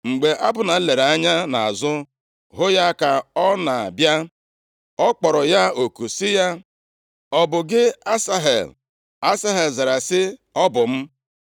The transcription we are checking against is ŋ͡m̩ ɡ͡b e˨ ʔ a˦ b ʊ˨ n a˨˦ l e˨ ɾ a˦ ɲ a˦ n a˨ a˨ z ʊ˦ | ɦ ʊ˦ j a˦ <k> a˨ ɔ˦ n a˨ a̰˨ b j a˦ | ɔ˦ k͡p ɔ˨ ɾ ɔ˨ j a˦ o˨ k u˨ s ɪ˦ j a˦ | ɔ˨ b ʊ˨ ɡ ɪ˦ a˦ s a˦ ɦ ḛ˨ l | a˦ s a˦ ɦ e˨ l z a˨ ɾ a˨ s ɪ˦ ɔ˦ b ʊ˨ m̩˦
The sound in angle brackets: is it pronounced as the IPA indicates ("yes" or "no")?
yes